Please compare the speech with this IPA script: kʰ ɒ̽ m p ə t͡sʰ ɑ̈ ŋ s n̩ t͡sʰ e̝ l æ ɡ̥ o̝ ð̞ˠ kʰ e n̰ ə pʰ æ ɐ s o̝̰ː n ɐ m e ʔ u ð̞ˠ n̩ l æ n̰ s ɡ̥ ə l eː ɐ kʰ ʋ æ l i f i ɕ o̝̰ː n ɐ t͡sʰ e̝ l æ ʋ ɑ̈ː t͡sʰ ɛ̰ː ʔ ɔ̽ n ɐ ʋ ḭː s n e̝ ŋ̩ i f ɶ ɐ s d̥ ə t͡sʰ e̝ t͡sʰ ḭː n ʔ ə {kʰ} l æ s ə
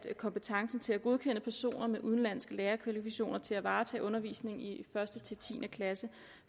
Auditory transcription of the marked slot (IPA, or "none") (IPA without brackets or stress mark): kʰ